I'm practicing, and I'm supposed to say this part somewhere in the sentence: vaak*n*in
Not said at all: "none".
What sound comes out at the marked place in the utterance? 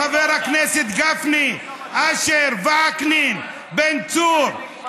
n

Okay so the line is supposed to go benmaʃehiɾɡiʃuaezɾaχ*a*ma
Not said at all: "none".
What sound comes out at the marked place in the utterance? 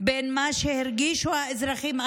i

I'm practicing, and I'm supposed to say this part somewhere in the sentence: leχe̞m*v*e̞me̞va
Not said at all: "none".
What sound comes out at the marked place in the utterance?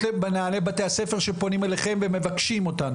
v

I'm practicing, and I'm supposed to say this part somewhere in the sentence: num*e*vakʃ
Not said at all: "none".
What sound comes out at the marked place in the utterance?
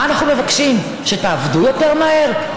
e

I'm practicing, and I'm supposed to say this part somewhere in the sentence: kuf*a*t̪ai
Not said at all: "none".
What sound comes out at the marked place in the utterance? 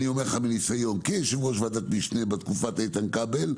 a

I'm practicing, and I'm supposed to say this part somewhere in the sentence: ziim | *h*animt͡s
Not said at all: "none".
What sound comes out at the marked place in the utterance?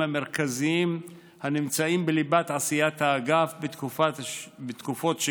h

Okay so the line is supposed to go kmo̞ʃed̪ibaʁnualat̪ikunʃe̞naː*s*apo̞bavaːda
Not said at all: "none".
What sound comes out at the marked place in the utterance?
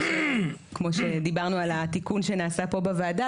s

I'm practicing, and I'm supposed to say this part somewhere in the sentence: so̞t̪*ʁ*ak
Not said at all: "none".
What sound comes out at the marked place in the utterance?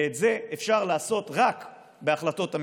ʁ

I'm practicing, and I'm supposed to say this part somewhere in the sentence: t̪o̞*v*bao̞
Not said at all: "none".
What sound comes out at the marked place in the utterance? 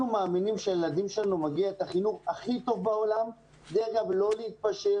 v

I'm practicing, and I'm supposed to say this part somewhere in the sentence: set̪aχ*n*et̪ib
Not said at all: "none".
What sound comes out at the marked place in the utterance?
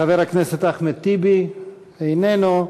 m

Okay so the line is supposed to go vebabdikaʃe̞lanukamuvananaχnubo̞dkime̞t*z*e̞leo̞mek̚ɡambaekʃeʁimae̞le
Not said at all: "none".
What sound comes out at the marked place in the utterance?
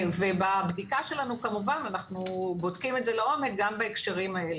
z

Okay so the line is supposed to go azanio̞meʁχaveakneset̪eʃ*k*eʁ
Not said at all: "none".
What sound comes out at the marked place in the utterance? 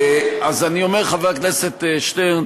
t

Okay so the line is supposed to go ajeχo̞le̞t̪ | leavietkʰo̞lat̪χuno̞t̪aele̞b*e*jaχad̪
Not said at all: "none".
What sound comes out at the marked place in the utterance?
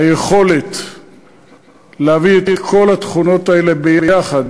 e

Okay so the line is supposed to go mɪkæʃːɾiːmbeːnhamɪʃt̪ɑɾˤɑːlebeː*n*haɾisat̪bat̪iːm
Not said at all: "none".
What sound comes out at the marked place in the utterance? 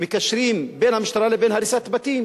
n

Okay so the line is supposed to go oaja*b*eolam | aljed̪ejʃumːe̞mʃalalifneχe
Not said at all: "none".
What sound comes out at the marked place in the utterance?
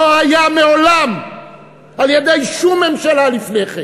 m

